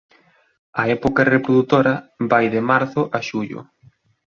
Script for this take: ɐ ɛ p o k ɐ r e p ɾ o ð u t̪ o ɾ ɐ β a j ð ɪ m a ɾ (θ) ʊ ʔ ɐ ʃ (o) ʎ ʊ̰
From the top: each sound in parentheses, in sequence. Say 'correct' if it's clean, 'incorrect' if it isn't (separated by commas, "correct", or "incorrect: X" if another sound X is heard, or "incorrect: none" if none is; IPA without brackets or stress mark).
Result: correct, incorrect: u